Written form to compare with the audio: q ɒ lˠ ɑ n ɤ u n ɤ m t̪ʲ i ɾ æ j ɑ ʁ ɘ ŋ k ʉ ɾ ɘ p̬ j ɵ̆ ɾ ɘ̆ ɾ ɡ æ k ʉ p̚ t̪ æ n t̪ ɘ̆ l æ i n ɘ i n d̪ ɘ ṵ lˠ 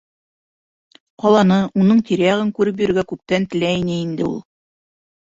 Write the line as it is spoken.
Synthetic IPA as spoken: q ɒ lˠ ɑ n ɤ u n ɤ ɴ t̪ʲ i ɾ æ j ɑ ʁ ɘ ŋ k ʉ ɾ ɘ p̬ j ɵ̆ ɾ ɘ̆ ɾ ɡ æ k ʉ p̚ t̪ æ n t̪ ɘ̆ l æ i n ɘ i n d̪ ɘ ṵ lˠ